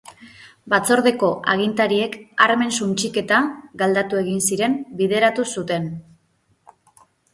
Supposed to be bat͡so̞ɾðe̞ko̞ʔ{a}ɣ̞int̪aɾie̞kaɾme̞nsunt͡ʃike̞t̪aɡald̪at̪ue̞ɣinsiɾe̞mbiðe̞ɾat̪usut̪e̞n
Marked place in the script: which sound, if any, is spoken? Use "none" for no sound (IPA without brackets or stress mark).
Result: a